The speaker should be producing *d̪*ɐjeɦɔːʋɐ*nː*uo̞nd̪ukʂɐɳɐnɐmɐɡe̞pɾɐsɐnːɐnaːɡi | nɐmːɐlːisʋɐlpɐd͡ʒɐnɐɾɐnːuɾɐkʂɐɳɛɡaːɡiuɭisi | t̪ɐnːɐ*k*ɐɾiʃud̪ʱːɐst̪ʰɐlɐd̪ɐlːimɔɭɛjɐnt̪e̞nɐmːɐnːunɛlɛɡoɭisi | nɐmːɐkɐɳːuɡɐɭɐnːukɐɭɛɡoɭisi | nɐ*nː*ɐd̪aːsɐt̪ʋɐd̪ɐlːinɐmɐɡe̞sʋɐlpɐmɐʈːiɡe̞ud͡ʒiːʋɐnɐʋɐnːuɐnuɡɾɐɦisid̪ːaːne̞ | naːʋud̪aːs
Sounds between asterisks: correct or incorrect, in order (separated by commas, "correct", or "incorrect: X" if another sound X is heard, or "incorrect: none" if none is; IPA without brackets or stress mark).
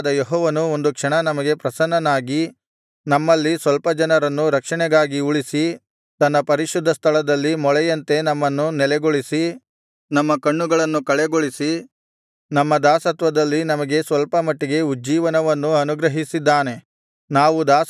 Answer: correct, incorrect: n, incorrect: p, incorrect: mː